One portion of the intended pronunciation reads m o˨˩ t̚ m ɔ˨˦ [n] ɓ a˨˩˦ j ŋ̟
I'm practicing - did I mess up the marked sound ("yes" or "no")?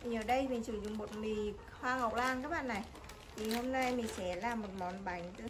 no